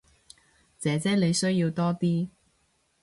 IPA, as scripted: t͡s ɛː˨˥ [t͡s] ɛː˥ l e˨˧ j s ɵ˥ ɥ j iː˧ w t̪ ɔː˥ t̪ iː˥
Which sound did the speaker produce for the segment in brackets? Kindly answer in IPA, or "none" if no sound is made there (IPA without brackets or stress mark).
t͡s